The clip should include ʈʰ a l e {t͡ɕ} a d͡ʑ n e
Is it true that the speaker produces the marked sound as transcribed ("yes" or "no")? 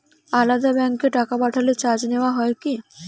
yes